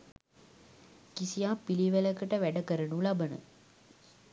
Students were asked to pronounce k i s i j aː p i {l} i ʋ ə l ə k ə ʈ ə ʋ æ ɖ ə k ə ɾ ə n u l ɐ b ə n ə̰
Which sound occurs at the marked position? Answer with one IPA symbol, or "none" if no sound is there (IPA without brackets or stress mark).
l